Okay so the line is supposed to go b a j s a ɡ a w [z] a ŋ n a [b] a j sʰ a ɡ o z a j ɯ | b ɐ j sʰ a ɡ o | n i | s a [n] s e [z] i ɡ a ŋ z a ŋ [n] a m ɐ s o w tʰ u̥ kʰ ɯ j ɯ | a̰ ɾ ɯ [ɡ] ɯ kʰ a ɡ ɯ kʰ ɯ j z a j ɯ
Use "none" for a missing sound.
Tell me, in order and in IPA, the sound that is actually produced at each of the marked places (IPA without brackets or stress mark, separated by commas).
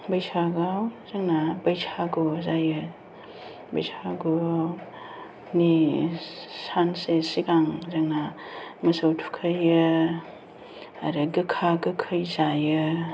z, b, n, s, n, ɡ